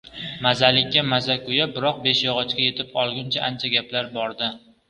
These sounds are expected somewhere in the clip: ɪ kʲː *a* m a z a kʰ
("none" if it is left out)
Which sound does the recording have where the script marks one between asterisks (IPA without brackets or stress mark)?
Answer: a